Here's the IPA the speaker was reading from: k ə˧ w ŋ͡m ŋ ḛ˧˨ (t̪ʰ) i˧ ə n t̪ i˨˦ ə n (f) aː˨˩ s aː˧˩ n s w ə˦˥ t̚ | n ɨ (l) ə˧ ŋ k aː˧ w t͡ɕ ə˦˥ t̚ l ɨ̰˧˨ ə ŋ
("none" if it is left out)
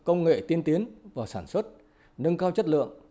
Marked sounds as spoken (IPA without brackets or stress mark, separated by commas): t̪, v, none